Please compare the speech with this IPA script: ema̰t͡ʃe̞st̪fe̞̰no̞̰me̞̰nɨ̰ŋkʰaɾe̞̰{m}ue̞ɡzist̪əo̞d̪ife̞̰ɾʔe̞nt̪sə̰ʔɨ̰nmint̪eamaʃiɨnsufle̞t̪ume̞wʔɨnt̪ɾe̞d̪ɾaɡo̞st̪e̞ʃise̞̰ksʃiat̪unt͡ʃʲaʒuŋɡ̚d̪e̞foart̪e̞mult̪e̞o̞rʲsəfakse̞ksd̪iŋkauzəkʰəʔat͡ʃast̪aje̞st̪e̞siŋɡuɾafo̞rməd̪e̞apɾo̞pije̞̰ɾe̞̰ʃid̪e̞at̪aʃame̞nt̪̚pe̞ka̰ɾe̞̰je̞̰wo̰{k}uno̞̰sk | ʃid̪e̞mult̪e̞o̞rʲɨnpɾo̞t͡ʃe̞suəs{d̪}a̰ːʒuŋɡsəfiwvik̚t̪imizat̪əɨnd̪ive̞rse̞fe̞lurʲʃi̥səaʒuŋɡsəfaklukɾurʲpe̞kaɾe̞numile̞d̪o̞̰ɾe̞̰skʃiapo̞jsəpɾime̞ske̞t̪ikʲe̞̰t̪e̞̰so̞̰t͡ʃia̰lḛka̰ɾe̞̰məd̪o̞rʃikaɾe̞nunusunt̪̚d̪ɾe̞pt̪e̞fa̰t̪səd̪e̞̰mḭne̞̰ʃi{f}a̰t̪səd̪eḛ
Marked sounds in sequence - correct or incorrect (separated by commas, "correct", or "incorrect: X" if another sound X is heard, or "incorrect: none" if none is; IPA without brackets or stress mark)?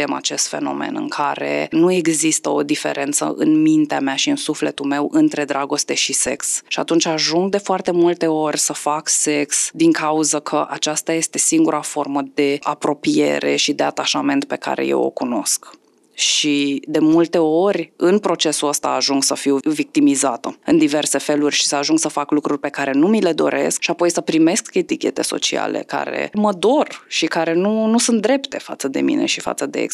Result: incorrect: n, correct, incorrect: t̪, correct